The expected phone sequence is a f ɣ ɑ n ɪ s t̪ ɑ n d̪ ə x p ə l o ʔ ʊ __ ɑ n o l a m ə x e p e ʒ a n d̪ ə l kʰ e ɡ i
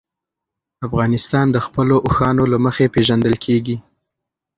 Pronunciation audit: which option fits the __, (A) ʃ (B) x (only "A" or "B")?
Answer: B